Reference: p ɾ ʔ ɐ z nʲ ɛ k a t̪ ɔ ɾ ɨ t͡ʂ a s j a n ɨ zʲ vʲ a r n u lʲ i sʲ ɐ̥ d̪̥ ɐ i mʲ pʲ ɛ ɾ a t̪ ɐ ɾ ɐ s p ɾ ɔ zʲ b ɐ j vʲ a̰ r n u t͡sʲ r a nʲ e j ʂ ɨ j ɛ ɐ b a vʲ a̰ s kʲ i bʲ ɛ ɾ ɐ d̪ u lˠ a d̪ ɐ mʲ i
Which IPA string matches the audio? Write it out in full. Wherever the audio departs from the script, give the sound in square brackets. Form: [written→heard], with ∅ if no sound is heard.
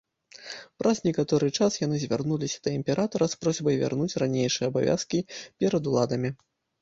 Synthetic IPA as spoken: p ɾ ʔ ɐ z nʲ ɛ k a t̪ ɔ ɾ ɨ t͡ʂ a s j a n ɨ zʲ vʲ a r n u lʲ i sʲ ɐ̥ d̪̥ ɐ i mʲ pʲ ɛ ɾ a t̪ ɐ ɾ ɐ s p ɾ ɔ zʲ b ɐ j vʲ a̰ r n u t͡sʲ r a nʲ e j ʂ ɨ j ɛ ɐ b a vʲ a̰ s kʲ i [bʲ→pʲ] ɛ ɾ ɐ d̪ u lˠ a d̪ ɐ mʲ i